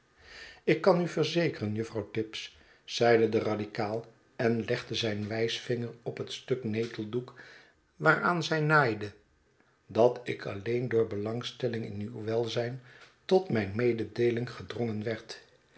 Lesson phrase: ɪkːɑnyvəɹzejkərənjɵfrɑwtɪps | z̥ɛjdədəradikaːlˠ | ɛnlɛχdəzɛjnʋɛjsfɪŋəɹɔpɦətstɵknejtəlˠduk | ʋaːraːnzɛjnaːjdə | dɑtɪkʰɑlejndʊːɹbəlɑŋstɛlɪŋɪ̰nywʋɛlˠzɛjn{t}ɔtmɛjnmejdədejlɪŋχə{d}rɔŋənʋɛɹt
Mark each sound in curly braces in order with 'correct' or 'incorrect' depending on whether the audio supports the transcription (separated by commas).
correct, correct